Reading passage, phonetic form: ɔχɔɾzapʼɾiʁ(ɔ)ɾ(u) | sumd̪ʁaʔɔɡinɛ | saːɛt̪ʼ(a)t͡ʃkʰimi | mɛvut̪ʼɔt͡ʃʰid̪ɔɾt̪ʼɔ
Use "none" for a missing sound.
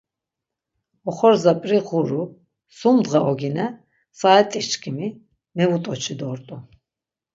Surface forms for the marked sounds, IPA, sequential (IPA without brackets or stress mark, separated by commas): u, u, i